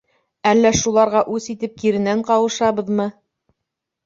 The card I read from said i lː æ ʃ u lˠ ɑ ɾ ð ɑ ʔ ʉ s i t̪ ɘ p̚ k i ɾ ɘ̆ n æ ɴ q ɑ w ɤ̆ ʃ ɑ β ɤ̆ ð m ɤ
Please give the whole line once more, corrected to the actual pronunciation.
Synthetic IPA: æ lː æ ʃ u lˠ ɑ ɾ ʁ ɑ ʔ ʉ s i t̪ ɘ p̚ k i ɾ ɘ̆ n æ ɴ q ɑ w ɤ̆ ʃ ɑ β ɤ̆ ð m ɤ